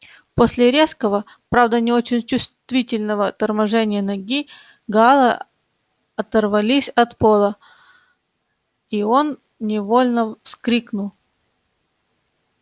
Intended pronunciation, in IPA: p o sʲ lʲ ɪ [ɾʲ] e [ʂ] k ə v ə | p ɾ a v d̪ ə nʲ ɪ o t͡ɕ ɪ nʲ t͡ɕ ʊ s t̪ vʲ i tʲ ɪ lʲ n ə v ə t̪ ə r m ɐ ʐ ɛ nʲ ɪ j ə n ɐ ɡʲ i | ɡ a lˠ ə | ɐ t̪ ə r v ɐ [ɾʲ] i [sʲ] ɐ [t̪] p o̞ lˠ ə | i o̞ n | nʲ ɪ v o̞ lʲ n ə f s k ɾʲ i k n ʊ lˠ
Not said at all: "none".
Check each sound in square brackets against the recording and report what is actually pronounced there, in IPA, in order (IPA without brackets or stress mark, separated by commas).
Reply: ɾʲ, s, lʲ, sʲ, t̪